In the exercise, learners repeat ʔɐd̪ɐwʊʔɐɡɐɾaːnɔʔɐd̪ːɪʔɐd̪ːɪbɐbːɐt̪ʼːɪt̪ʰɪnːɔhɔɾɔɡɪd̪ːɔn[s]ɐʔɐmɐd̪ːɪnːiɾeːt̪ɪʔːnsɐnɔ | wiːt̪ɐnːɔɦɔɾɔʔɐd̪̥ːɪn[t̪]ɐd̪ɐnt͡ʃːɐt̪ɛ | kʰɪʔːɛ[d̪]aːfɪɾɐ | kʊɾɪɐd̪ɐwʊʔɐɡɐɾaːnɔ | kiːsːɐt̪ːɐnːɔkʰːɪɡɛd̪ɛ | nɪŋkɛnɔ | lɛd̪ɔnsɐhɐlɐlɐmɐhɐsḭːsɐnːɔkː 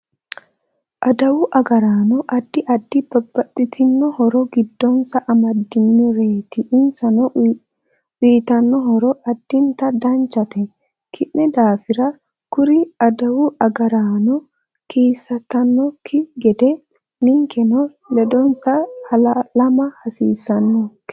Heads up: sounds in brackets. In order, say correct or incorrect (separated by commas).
correct, correct, correct